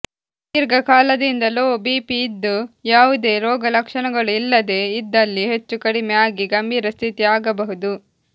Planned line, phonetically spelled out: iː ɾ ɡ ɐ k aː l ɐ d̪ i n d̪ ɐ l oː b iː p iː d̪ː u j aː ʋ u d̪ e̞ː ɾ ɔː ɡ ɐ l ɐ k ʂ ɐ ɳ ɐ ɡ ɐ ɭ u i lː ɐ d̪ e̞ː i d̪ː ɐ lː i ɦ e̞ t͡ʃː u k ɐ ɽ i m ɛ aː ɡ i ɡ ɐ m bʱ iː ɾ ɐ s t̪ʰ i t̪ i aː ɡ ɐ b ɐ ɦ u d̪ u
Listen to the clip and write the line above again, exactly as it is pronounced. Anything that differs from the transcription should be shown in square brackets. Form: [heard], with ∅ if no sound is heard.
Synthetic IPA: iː ɾ ɡ ɐ k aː l ɐ d̪ i n d̪ ɐ l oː b iː p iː d̪ː u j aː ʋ u d̪ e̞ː ɾ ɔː ɡ ɐ l ɐ k ʂ ɐ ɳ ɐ ɡ ɐ ɭ u i lː ɐ d̪ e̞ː i d̪ː ɐ lː i ɦ e̞ t͡ʃː u k ɐ ɽ i m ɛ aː ɡ i ɡ ɐ m bʱ iː ɾ ɐ s t̪ʰ i t̪ i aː ɡ ɐ b ɐ ɦ u d̪ u